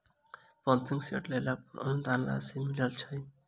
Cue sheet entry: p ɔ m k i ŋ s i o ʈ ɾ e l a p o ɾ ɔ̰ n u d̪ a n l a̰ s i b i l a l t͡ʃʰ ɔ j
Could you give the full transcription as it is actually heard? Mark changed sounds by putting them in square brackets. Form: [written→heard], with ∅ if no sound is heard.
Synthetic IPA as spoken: p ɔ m [k→p] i ŋ s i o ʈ [ɾ→l] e l a p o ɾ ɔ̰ n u d̪ a n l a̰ s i [b→m] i l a l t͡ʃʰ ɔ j